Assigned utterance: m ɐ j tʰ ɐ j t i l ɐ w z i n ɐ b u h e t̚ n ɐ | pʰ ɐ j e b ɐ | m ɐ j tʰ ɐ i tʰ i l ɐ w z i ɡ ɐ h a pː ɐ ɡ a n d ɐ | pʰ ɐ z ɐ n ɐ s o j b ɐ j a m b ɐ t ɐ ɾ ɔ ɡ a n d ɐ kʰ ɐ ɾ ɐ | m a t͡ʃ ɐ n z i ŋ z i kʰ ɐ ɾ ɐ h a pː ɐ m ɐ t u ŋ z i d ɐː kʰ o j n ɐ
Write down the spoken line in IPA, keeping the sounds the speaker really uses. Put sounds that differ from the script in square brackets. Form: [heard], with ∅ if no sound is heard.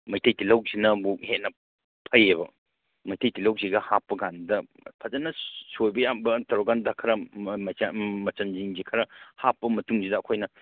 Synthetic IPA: m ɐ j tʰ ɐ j t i l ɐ w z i n ɐ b u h e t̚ n ɐ | pʰ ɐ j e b ɐ | m ɐ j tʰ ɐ [j] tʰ i l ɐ w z i ɡ ɐ h a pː ɐ ɡ a n d ɐ | pʰ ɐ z ɐ n ɐ s o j b ɐ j a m b ɐ t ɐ ɾ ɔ ɡ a n d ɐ kʰ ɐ ɾ ɐ | m [ɐ] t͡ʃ ɐ n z i ŋ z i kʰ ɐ ɾ ɐ h a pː ɐ m ɐ t u ŋ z i d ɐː kʰ o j n ɐ

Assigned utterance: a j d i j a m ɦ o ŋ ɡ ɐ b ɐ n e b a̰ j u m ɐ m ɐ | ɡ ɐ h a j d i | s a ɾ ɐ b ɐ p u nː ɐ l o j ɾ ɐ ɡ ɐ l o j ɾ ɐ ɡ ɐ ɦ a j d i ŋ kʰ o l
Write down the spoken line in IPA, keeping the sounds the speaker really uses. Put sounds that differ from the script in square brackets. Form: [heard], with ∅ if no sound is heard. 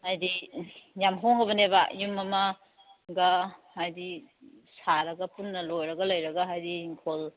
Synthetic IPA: a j d i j a m ɦ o ŋ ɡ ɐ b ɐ n e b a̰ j u m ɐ m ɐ | ɡ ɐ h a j d i | s a ɾ ɐ [ɡ] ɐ p u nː ɐ l o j ɾ ɐ ɡ ɐ l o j ɾ ɐ ɡ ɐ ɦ a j d i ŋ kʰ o l

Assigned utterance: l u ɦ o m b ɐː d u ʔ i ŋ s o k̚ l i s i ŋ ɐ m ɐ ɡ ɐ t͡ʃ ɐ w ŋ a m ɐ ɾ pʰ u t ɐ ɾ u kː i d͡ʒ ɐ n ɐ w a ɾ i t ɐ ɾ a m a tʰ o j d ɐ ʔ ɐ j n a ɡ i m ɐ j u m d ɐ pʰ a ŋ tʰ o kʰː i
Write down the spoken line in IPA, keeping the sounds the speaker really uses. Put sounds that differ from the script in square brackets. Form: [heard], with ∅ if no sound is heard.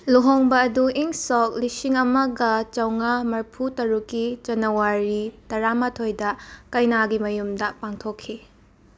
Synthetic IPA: l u ɦ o [ŋ] b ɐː d u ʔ i ŋ s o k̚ l i s i ŋ ɐ m ɐ ɡ ɐ t͡ʃ ɐ w ŋ a m ɐ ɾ pʰ u t ɐ ɾ u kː i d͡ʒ ɐ n ɐ w a ɾ i t ɐ ɾ a m a tʰ o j d ɐ [k] ɐ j n a ɡ i m ɐ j u m d ɐ [p] a ŋ tʰ o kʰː i

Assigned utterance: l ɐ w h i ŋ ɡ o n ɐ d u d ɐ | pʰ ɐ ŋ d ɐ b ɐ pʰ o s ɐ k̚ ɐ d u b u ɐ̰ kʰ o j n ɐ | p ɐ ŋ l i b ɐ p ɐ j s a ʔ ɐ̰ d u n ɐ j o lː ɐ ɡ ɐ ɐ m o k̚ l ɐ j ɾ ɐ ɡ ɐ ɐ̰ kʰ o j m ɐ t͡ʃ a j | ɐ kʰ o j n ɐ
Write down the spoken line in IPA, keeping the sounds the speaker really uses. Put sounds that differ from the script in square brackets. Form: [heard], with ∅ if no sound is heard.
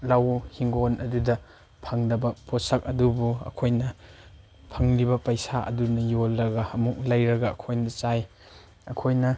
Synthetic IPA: l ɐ w h i ŋ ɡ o n ɐ d u d ɐ | pʰ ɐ ŋ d ɐ b ɐ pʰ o s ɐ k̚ ɐ d u b u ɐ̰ kʰ o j n ɐ | [pʰ] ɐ ŋ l i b ɐ p ɐ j s a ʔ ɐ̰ d u n ɐ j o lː ɐ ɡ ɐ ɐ m [u] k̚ l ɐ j ɾ ɐ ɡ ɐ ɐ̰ kʰ o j [n] ɐ t͡ʃ a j | ɐ kʰ o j n ɐ

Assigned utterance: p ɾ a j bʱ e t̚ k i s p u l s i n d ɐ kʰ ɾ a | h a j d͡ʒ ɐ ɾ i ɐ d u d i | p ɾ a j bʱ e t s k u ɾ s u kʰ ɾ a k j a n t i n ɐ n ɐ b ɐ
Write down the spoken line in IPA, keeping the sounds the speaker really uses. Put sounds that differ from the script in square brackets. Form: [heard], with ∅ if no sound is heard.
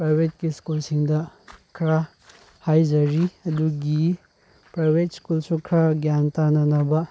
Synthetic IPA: p ɾ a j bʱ e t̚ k i s [k] u l s i [ŋ] d ɐ kʰ ɾ a | h a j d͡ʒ ɐ ɾ i ɐ d u [ɡ] i | p ɾ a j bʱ e t s k u [l] s u kʰ ɾ a [ɡ] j a n t [a] n ɐ n ɐ b ɐ

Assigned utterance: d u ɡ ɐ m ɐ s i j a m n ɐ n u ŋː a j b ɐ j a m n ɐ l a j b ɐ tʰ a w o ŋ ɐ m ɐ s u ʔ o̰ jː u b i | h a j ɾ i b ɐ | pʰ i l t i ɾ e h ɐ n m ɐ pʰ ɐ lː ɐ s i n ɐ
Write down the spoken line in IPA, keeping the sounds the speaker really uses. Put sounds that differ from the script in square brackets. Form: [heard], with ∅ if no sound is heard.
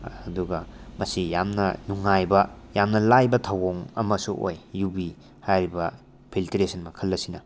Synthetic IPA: d u ɡ ɐ m ɐ s i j a m n ɐ n u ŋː a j b ɐ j a m n ɐ l a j b ɐ tʰ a w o ŋ ɐ m ɐ s u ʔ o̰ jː u b i | h a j ɾ i b ɐ | pʰ i l t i ɾ e [s] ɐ n m ɐ [kʰ] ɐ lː ɐ s i n ɐ

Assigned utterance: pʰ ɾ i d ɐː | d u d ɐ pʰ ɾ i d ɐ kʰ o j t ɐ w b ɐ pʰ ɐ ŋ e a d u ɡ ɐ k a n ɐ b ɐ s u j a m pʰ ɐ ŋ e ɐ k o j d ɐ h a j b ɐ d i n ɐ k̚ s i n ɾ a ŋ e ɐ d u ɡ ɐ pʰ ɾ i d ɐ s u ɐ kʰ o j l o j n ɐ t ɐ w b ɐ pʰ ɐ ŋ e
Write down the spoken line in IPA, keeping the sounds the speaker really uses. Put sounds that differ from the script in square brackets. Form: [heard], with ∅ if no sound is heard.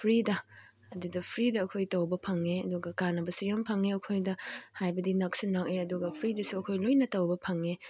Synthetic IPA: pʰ ɾ i d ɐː | d u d ɐ pʰ ɾ i d [ɐː] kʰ o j t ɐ w b ɐ pʰ ɐ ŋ e [ɐ] d u ɡ ɐ k a n ɐ b ɐ s u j a m pʰ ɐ ŋ e ɐ [kʰ] o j d ɐ h a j b ɐ d i n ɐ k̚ s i n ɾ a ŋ e ɐ d u ɡ ɐ pʰ ɾ i d ɐ s u ɐ kʰ o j l o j n ɐ t ɐ w b ɐ pʰ ɐ ŋ e

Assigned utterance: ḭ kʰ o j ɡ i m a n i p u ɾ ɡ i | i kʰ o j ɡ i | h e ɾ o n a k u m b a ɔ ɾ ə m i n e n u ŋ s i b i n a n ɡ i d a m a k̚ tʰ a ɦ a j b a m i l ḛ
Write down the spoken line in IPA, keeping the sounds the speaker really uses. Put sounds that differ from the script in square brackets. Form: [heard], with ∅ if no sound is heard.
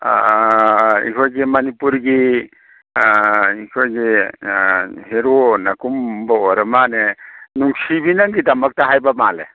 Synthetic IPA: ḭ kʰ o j ɡ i m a n i p u ɾ ɡ i | i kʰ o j ɡ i | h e ɾ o n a k u m b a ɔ ɾ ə m [a] n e n u ŋ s i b i n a [ŋ] ɡ i d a m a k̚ [t] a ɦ a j b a m [a] l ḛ

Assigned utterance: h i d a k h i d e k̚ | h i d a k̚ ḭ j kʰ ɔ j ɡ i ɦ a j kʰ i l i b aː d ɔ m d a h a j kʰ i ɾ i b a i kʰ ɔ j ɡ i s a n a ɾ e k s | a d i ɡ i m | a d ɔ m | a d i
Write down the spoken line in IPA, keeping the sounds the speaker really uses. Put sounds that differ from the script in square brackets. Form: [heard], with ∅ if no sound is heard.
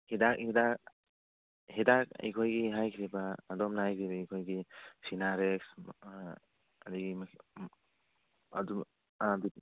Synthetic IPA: h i d a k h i d [a] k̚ | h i d a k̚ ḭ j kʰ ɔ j ɡ i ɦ a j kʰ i [ɾ] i b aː d ɔ m [n] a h a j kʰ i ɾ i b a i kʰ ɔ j ɡ i s [i] n a ɾ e k s | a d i ɡ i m | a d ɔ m | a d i

